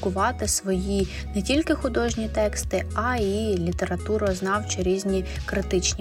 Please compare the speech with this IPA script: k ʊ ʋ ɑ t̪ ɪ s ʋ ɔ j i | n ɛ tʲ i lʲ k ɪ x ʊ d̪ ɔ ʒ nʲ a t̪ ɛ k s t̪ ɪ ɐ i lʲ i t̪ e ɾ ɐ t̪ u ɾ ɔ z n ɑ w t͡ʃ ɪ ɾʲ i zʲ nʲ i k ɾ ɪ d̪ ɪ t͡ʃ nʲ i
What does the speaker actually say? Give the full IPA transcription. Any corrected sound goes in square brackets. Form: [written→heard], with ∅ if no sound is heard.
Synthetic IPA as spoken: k ʊ ʋ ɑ t̪ ɪ s ʋ ɔ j i | n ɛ tʲ i lʲ k ɪ x ʊ d̪ ɔ ʒ nʲ [a→i] t̪ ɛ k s t̪ ɪ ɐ i lʲ i t̪ e ɾ ɐ t̪ u ɾ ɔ z n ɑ w t͡ʃ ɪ ɾʲ i zʲ nʲ i k ɾ ɪ [d̪→t̪] ɪ t͡ʃ nʲ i